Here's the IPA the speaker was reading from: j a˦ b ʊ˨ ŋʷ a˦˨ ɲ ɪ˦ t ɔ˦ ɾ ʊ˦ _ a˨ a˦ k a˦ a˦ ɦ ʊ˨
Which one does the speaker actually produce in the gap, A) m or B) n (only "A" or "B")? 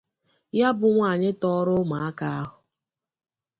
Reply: A